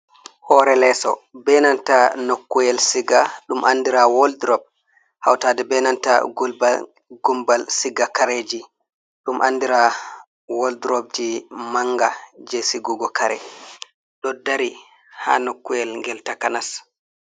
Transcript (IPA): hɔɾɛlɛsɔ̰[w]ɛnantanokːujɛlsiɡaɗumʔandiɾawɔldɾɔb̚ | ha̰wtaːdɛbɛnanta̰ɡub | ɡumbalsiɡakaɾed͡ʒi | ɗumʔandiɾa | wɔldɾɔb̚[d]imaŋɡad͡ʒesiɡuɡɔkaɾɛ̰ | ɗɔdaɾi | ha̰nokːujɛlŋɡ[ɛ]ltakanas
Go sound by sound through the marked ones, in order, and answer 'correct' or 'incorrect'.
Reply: incorrect, incorrect, correct

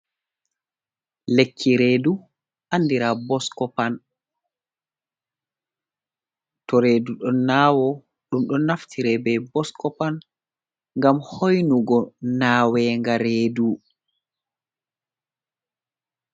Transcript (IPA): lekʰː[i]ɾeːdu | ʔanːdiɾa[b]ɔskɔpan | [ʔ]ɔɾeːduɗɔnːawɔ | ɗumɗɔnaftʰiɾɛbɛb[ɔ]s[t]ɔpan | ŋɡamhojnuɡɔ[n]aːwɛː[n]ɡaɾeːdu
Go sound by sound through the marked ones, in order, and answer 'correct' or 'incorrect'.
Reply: correct, correct, incorrect, correct, incorrect, correct, incorrect

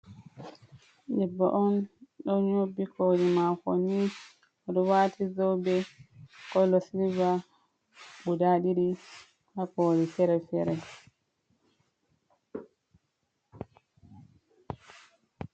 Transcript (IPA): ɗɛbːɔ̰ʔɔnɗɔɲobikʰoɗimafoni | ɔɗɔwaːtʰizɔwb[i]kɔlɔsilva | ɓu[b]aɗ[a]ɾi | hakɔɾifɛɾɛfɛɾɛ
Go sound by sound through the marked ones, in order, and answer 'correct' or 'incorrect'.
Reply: incorrect, incorrect, incorrect

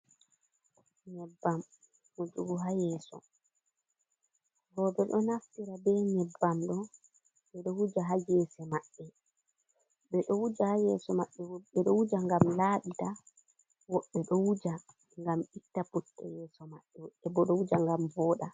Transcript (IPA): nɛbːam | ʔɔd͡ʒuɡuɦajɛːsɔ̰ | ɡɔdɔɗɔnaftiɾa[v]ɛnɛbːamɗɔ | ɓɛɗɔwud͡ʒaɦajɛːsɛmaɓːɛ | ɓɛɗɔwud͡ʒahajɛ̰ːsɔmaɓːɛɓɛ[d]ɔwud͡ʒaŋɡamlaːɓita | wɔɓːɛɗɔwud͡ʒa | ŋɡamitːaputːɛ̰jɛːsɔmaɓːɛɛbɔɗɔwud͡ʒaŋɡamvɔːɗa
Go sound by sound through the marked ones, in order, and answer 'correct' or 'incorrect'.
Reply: incorrect, incorrect

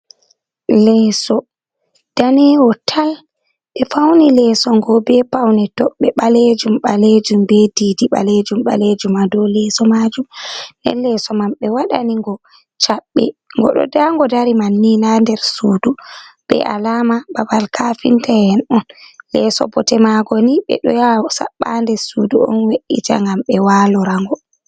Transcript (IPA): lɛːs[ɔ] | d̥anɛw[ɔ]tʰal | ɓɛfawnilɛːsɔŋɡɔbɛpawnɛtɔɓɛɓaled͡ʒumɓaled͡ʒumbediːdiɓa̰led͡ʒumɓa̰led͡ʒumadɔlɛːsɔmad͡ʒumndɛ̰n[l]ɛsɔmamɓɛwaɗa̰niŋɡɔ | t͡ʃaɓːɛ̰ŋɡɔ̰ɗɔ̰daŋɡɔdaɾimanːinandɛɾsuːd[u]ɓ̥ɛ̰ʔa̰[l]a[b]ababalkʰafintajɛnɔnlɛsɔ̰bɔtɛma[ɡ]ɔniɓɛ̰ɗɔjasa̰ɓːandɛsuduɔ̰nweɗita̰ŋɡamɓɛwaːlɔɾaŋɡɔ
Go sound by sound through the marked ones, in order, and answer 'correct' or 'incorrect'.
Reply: correct, correct, correct, correct, correct, incorrect, correct

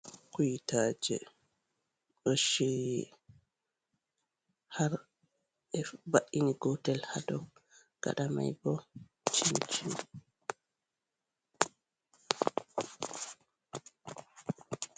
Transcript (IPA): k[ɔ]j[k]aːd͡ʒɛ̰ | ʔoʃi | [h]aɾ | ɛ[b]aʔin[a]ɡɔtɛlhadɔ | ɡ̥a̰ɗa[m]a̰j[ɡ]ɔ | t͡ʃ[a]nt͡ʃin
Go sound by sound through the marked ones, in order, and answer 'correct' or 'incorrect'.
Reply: incorrect, incorrect, correct, correct, incorrect, correct, incorrect, incorrect

